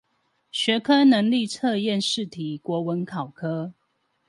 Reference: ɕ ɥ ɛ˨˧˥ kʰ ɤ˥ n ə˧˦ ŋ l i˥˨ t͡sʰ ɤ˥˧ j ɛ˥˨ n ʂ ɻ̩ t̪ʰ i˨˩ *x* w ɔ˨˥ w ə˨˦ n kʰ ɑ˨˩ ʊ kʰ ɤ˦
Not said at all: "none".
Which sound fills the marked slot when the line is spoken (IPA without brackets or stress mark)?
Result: k